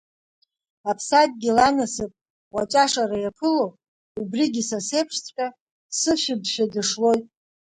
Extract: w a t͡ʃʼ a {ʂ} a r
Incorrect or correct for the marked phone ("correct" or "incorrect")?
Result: correct